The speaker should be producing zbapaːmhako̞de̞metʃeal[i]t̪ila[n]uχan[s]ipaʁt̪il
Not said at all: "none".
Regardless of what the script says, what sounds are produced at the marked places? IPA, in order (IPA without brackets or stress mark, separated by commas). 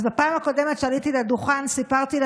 i, d, s